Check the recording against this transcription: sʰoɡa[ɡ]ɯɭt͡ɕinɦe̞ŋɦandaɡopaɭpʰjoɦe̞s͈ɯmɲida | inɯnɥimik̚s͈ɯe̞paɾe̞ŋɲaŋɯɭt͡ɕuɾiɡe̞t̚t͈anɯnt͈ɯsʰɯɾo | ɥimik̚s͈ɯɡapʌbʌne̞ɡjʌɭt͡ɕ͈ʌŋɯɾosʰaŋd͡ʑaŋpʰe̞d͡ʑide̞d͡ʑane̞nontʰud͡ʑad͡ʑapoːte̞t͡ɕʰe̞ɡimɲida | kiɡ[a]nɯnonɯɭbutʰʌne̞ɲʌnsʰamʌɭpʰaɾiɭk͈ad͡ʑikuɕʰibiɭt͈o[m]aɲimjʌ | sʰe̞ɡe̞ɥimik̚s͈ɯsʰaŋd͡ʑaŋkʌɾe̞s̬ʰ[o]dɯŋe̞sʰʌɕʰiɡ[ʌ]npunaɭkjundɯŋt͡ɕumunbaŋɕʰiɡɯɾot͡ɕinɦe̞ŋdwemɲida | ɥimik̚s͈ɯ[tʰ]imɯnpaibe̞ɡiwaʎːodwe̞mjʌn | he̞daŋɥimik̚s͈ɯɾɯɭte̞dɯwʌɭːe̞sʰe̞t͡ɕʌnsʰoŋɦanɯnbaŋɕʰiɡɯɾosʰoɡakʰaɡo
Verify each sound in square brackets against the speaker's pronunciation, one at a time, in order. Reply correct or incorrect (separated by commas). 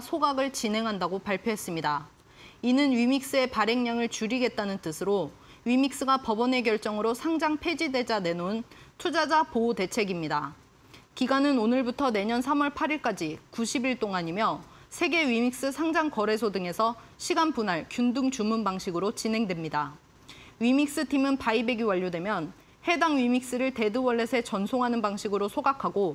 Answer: correct, correct, incorrect, correct, incorrect, correct